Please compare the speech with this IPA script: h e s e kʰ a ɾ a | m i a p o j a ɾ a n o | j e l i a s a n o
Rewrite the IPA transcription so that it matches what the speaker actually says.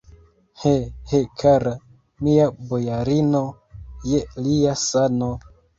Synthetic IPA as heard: h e h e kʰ a ɾ a | m i a b o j a ɾ i n o | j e l i a s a n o